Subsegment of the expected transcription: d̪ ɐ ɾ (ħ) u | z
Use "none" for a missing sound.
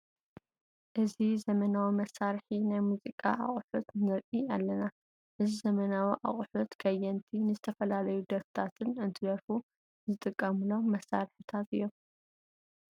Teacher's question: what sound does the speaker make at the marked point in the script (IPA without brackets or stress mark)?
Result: f